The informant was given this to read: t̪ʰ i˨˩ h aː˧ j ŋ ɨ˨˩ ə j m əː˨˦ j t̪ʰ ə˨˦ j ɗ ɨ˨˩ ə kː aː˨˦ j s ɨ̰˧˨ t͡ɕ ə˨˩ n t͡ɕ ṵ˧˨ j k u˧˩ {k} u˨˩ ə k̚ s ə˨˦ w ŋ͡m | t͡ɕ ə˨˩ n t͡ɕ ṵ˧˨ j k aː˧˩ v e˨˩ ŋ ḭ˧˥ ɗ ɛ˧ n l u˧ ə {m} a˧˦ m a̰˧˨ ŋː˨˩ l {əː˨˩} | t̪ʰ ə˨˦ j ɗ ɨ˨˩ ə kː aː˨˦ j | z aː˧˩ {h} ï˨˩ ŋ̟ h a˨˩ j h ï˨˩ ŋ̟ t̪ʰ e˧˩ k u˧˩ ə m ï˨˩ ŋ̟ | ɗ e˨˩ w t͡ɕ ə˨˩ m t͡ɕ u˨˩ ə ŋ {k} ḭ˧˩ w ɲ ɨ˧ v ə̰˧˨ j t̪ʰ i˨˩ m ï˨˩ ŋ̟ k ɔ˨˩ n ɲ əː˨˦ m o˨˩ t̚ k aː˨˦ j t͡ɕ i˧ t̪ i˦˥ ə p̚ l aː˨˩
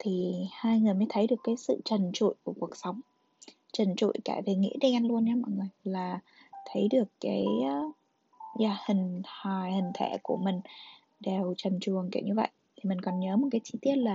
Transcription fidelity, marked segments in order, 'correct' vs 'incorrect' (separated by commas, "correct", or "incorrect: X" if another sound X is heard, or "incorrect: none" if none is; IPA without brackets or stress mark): correct, incorrect: n, incorrect: aː˨˩, correct, correct